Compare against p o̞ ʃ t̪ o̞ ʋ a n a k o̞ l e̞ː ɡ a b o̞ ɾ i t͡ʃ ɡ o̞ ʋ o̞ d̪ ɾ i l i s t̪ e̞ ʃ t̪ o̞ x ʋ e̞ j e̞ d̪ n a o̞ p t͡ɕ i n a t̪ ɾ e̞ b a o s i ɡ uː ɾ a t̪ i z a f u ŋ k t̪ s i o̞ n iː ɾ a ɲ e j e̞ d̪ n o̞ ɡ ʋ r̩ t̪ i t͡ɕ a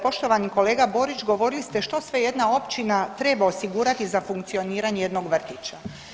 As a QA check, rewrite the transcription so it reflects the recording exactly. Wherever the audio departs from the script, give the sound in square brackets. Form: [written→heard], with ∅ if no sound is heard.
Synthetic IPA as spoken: p o̞ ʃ t̪ o̞ ʋ a n [a→i] k o̞ l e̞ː ɡ a b o̞ ɾ i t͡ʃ ɡ o̞ ʋ o̞ [d̪→∅] ɾ i l i s t̪ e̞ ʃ t̪ o̞ [x→s] ʋ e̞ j e̞ d̪ n a o̞ p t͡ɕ i n a t̪ ɾ e̞ b a o s i ɡ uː ɾ a t̪ i z a f u ŋ k t̪ s i o̞ n iː ɾ a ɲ e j e̞ d̪ n o̞ ɡ ʋ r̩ t̪ i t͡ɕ a